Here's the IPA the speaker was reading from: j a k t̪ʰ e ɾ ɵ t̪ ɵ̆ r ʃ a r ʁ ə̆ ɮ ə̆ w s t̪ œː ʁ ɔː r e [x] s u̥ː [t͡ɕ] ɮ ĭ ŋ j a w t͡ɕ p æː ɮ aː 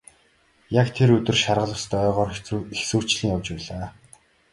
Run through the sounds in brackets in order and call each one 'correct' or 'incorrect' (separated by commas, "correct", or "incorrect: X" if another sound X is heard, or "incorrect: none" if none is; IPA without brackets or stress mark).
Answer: correct, correct